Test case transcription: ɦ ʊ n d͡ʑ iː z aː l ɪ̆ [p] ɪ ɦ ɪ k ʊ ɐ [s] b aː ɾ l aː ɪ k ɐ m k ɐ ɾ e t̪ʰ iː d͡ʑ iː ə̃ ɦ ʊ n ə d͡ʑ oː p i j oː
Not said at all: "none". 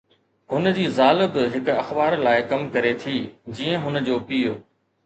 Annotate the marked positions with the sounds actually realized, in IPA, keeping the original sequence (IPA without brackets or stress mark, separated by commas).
b, x